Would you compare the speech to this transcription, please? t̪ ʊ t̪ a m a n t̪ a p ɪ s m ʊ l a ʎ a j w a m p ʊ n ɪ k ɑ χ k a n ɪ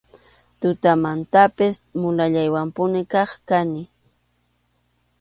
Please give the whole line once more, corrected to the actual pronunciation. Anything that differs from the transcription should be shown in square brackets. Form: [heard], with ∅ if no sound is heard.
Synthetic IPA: t̪ ʊ t̪ a m a n t̪ a p ɪ s m ʊ l a ʎ a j w a m p ʊ n ɪ k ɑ χ k a n ɪ

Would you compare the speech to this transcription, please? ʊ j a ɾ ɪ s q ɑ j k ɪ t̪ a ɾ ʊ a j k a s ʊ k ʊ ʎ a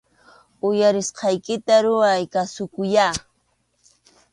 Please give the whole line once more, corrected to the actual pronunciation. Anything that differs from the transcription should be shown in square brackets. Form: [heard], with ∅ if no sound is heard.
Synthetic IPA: ʊ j a ɾ ɪ s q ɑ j k ɪ t̪ a ɾ ʊ a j k a s ʊ k ʊ [j] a

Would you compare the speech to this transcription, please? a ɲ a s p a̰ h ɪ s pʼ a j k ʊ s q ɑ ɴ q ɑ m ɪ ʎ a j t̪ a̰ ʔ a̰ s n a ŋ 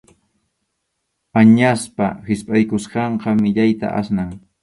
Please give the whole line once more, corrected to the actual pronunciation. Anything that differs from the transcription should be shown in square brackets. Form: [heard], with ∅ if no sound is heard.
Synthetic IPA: a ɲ a s p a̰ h ɪ s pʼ a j k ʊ s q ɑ ɴ q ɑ m ɪ ʎ a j t̪ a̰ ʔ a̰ s n a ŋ

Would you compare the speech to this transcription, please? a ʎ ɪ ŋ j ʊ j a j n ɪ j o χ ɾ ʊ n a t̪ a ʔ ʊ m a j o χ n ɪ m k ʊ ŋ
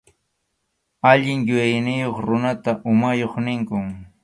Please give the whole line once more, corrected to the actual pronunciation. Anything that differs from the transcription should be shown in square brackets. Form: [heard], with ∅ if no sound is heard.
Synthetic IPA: a ʎ ɪ ŋ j ʊ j a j n ɪ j o χ ɾ ʊ n a t̪ a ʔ ʊ m a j o χ n ɪ [ŋ] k ʊ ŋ

